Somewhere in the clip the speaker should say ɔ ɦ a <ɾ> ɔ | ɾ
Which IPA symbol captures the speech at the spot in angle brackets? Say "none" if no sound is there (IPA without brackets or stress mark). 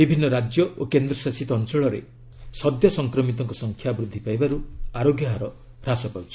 ɾ